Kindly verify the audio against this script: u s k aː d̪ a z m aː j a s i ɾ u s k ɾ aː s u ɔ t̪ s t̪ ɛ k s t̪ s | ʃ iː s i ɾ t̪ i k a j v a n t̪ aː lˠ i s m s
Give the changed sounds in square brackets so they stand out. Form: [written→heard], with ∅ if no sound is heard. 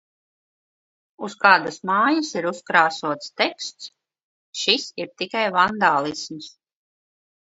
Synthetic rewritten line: u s k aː d̪ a [z→s] m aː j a s i ɾ u s k ɾ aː s u ɔ t̪ s t̪ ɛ k s t̪ s | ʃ [iː→i] s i ɾ t̪ i k a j v a n [t̪→d̪] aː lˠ i s m s